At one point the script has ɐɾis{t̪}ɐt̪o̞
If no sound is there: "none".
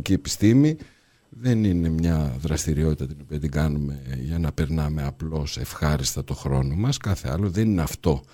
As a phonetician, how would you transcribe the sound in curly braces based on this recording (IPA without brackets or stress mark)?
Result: t̪